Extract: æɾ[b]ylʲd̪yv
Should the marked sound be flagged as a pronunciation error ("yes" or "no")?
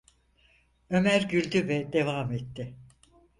yes